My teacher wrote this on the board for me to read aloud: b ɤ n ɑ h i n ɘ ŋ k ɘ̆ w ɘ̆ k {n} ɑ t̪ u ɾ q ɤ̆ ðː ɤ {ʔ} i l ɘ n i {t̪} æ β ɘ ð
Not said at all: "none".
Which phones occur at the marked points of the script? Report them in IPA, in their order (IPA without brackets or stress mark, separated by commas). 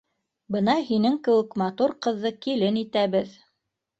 m, k, t̪